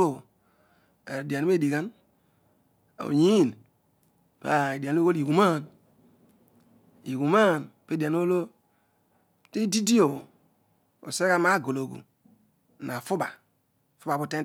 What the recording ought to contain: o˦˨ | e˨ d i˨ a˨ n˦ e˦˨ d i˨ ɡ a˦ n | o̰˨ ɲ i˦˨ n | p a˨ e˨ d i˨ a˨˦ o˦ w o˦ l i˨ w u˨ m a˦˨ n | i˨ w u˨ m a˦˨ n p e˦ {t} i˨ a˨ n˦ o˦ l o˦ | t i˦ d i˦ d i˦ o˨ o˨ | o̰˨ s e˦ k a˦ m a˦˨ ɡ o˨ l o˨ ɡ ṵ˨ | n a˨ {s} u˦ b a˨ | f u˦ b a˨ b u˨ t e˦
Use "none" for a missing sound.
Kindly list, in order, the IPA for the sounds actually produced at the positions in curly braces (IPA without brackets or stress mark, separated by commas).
d, f